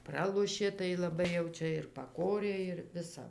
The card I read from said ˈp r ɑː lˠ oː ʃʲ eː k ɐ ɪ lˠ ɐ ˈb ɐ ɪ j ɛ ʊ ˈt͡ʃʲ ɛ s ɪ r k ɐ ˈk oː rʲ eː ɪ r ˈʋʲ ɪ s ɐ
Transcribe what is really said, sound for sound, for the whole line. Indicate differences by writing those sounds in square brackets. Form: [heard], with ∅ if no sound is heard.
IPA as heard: ˈp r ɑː lˠ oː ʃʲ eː [t] ɐ ɪ lˠ ɐ ˈb ɐ ɪ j ɛ ʊ ˈt͡ʃʲ ɛ [∅] ɪ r [p] ɐ ˈk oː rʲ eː ɪ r ˈʋʲ ɪ s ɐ